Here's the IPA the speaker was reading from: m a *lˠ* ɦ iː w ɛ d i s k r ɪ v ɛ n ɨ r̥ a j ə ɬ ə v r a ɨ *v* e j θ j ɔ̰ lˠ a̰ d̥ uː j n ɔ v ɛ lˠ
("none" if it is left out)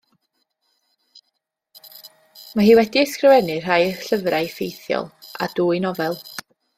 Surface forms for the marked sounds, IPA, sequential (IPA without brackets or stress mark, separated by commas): none, f